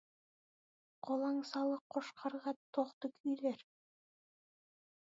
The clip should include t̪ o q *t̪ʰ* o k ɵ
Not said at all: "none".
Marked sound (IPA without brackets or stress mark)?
t̪